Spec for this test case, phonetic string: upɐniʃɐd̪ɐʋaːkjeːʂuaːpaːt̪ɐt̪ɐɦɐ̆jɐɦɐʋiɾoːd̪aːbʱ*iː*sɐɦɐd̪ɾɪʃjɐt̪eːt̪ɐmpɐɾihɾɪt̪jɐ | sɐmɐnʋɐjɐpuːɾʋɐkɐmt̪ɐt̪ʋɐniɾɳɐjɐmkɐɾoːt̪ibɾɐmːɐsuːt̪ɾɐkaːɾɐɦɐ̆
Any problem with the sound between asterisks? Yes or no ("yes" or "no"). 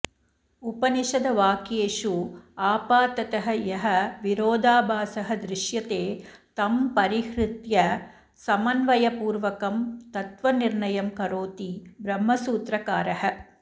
yes